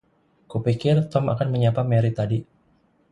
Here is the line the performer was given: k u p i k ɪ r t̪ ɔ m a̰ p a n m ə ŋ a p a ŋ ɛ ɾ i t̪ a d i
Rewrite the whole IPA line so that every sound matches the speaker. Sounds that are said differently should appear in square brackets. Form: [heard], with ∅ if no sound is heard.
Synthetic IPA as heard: k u p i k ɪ r t̪ ɔ m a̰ [k] a n m ə [ɲ] a p a [m] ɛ ɾ i t̪ a d i